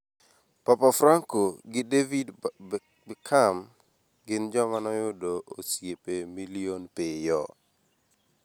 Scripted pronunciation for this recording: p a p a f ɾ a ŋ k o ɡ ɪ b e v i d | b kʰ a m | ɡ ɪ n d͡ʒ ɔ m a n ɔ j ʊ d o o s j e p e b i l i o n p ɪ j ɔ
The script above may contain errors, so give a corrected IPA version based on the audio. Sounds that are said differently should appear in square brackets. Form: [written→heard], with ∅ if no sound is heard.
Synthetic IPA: p a p a f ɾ a ŋ k o ɡ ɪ [b→d] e v i d | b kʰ a m | ɡ ɪ n d͡ʒ ɔ m a n ɔ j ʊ d o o s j e p e [b→m] i l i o n p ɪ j ɔ